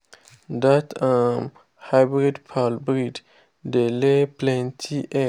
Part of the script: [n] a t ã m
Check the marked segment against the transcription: incorrect: d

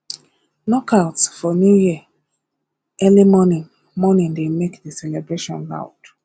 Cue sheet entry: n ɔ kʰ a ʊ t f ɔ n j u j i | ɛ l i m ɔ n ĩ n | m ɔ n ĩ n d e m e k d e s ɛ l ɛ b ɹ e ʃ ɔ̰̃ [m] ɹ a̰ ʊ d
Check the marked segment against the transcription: incorrect: n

